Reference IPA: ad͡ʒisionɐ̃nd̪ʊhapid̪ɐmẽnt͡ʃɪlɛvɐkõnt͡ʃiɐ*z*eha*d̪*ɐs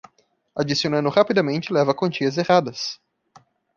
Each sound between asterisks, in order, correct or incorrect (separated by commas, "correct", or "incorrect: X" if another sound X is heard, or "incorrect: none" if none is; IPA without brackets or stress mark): correct, correct